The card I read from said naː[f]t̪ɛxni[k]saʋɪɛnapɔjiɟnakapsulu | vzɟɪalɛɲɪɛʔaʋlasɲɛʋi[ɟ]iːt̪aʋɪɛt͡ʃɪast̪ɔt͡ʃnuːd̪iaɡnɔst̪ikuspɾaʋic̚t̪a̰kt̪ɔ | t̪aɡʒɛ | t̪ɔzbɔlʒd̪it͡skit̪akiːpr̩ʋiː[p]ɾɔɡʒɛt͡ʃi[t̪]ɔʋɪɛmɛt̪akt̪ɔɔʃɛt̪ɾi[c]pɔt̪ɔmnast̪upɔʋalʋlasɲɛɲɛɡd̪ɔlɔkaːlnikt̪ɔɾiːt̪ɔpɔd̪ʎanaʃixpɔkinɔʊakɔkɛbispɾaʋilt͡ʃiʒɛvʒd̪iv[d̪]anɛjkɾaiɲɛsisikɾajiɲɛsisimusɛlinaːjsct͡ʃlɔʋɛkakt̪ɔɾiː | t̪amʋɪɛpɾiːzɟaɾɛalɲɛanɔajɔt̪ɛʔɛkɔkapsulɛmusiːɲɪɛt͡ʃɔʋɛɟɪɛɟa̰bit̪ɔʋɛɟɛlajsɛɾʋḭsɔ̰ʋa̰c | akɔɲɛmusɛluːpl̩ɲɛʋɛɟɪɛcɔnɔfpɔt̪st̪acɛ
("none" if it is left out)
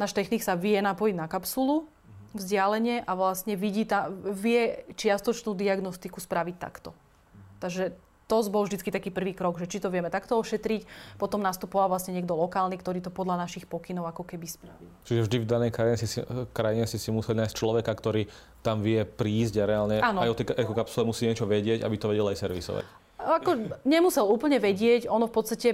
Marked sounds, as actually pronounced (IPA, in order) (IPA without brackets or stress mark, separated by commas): ʃ, k, ɟ, k, t̪, c, d̪